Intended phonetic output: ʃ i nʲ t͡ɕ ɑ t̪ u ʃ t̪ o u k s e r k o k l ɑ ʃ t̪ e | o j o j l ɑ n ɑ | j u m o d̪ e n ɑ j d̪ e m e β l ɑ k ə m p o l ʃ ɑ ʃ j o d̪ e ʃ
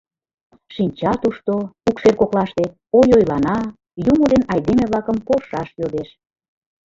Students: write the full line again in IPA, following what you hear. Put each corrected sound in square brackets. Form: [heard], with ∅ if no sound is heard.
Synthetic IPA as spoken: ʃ i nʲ t͡ɕ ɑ t̪ u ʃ t̪ o u k [ʃ] e r k o k l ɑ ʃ t̪ e | o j o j l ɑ n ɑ | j u m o d̪ e n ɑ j d̪ e m e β l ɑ k ə m p o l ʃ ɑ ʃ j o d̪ e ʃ